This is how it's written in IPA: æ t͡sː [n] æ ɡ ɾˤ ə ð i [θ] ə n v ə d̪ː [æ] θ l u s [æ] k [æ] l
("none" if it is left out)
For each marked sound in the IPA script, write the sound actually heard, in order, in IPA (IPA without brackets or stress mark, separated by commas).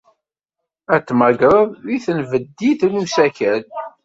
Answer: m, θ, i, æ, æ